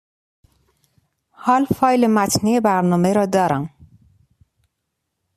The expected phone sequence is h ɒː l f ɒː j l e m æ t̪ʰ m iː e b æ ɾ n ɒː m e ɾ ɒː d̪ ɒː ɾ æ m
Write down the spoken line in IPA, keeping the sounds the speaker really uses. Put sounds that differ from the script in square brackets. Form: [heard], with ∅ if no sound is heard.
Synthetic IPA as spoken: h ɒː l f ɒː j l e m æ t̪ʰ [n] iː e b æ ɾ n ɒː m e ɾ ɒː d̪ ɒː ɾ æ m